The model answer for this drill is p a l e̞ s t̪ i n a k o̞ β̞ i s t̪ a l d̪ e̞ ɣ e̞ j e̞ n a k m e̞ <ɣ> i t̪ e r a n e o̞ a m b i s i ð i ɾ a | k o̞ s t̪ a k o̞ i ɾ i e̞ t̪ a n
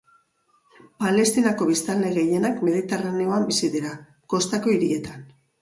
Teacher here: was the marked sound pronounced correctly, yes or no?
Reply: no